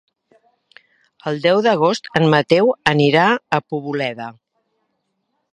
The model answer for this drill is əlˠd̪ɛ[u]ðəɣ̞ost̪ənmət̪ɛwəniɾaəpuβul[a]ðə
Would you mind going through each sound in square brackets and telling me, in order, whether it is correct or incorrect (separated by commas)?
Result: incorrect, incorrect